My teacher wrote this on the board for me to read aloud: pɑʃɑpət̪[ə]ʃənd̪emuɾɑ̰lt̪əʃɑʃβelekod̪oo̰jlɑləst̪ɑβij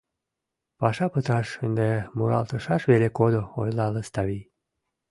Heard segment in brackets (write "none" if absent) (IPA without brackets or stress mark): ɑ